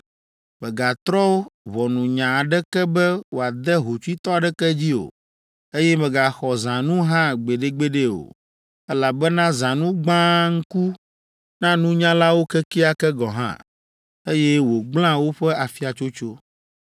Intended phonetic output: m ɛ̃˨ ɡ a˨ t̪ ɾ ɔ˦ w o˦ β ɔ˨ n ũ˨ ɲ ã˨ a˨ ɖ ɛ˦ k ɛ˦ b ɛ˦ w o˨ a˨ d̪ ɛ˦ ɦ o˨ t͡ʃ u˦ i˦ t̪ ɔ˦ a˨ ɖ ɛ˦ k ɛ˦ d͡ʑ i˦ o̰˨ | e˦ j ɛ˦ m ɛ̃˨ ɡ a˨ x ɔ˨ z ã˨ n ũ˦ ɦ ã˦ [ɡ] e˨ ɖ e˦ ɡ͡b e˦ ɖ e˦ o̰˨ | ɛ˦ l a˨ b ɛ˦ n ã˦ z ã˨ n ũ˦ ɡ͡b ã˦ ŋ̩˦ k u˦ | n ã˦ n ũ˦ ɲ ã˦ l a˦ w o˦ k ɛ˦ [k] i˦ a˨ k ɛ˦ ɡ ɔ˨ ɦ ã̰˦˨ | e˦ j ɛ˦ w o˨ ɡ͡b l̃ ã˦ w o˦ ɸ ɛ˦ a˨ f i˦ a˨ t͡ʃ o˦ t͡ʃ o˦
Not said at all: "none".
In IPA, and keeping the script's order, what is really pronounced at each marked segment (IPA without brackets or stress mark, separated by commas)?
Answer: ɡ͡b, k